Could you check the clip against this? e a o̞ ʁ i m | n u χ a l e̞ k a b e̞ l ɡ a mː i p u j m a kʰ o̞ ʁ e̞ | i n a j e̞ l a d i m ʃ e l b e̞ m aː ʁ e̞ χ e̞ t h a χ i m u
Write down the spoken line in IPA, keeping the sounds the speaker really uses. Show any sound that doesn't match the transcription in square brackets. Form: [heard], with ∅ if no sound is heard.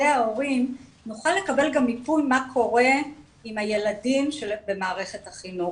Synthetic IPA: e a o̞ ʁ i m | n u χ a l e̞ k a b e̞ l ɡ a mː i p u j m a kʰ o̞ ʁ e̞ | i [m] a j e̞ l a d i m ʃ e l b e̞ m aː ʁ e̞ χ e̞ t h a χ i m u